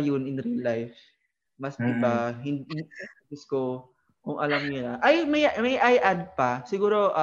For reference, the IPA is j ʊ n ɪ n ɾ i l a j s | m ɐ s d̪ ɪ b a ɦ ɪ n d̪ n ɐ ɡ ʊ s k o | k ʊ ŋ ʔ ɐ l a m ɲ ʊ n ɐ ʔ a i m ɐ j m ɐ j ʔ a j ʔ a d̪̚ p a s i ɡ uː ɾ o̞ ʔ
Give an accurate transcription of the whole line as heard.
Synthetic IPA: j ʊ n ɪ n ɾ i l a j f | m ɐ s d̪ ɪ b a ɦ ɪ n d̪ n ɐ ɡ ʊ s k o | k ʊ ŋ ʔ ɐ l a m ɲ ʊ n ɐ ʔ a j m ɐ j m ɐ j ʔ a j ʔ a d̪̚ p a s ɪ ɡ uː ɾ o̞ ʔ